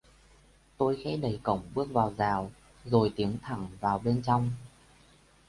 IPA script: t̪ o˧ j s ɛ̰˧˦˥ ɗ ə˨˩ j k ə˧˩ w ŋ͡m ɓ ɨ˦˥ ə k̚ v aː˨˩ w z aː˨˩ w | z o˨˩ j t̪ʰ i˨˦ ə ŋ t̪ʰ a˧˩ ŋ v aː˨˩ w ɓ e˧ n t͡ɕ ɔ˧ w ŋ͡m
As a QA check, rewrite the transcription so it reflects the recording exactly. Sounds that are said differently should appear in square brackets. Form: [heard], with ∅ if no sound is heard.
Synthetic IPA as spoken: t̪ o˧ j [x] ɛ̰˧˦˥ ɗ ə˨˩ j k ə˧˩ w ŋ͡m ɓ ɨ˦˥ ə k̚ v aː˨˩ w z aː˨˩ w | z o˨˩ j [t̪] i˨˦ ə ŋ t̪ʰ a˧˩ ŋ v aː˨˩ w ɓ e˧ n t͡ɕ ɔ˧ w ŋ͡m